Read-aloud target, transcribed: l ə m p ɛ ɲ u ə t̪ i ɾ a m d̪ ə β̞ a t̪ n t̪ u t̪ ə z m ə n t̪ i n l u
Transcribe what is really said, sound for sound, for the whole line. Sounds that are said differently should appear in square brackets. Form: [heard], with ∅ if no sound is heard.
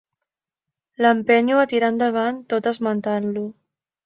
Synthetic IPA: l ə m p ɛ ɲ u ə t̪ i ɾ a [n] d̪ ə β̞ a [∅] n t̪ [o] t̪ ə z m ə n t̪ [a] n l u